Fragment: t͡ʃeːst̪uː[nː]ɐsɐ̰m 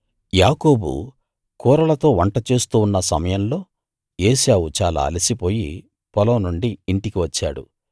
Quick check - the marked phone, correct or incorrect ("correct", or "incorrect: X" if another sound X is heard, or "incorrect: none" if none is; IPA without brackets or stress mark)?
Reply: correct